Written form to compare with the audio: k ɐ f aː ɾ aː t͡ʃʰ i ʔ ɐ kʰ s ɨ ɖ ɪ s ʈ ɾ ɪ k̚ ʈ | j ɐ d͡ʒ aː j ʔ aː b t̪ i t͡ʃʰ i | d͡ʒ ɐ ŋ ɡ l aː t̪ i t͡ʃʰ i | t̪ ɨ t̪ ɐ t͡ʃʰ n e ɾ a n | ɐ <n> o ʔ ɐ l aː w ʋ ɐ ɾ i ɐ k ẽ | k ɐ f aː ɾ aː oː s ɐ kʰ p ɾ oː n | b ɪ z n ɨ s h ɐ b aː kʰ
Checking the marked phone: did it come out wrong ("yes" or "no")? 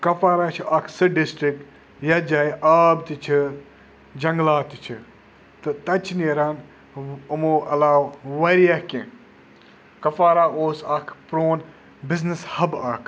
yes